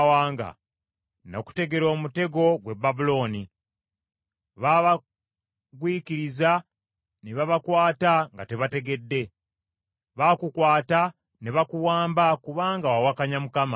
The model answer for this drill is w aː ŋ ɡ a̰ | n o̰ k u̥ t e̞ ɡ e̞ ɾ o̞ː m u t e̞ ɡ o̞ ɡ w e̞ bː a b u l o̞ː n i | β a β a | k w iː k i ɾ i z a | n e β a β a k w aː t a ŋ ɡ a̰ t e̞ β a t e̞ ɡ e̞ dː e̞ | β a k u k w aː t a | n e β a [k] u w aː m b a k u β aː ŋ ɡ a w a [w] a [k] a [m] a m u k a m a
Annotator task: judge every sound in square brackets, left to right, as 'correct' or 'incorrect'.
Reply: correct, correct, correct, incorrect: ɲ

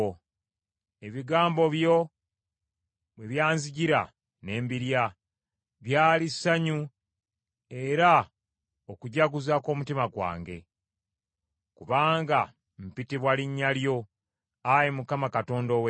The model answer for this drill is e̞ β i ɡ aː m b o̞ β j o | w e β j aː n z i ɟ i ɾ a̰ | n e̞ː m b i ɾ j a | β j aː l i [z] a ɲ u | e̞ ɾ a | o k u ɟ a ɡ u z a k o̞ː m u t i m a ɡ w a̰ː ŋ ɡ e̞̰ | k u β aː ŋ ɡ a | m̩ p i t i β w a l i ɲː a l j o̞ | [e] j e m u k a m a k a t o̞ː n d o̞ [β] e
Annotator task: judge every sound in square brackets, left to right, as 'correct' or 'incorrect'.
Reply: incorrect: s, incorrect: a, incorrect: w

